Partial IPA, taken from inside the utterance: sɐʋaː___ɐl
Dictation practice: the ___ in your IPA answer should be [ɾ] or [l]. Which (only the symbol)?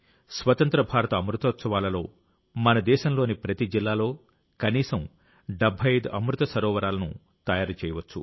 l